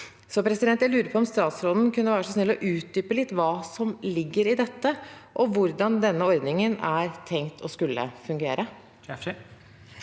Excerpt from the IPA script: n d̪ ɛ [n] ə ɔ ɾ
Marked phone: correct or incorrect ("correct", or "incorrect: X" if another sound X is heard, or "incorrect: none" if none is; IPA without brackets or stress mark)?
incorrect: nː